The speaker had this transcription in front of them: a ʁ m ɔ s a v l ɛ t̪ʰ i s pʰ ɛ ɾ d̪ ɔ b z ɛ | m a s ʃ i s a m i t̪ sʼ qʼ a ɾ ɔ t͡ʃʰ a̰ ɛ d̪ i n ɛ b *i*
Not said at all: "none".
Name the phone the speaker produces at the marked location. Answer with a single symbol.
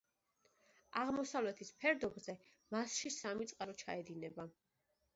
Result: a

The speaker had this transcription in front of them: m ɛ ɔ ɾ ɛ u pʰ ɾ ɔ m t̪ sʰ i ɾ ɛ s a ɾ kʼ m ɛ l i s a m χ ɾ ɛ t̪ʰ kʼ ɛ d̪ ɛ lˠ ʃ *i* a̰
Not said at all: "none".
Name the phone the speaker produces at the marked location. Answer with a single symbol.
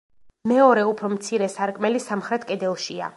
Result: i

